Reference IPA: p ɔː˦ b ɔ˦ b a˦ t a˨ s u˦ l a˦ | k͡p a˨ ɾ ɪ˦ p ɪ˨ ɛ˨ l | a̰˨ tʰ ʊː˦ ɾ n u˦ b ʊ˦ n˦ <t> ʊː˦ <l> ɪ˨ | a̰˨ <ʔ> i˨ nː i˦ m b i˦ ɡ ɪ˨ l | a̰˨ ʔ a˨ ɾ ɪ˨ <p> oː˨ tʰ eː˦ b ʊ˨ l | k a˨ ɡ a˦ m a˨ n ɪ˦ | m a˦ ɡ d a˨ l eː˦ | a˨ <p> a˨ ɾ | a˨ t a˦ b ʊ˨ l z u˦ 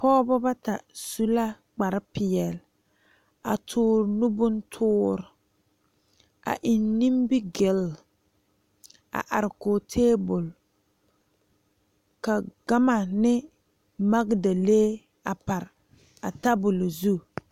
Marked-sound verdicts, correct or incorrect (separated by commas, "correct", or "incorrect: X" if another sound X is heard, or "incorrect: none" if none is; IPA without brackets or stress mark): incorrect: tʰ, incorrect: ɾ, correct, incorrect: k, correct